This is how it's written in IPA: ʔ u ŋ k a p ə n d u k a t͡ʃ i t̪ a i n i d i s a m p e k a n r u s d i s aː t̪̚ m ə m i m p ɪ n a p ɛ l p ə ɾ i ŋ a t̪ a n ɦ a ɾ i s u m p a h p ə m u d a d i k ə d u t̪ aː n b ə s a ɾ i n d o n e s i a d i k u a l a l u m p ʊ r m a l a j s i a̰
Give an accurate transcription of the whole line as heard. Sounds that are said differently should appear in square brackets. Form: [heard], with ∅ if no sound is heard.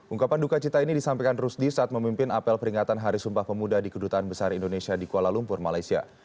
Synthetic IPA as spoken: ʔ u ŋ k a p [a] n d u k a t͡ʃ i t̪ a i n i d i s a m p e k a n r u s d i s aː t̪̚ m ə m i m p ɪ n a p ɛ l p ə ɾ i ŋ a t̪ a n ɦ a ɾ i s u m p a h p ə m u d a d i k ə d u t̪ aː n b ə s a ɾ i n d o n e s i a d i k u a l a l u m p ʊ r m a l a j s i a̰